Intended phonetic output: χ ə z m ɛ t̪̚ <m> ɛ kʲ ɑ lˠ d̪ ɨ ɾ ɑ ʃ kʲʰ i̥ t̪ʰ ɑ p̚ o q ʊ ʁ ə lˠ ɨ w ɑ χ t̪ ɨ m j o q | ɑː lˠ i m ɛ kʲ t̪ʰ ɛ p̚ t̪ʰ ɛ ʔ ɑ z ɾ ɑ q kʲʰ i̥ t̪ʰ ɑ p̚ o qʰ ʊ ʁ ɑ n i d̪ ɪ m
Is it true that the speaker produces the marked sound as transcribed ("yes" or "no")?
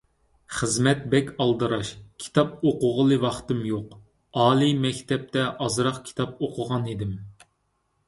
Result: no